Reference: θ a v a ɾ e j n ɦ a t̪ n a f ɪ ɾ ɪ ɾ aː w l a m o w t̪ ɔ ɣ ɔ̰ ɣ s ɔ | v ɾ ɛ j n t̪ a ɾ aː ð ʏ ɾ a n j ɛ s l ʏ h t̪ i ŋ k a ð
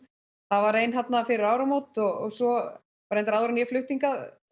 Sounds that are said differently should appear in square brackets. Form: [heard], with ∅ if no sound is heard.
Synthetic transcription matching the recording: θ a v a ɾ e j n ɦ a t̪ n a f ɪ ɾ ɪ ɾ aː w [ɾ] a m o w t̪ ɔ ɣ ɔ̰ ɣ s ɔ | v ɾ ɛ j n t̪ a ɾ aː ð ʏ ɾ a n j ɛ [f] l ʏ h t̪ i ŋ k a ð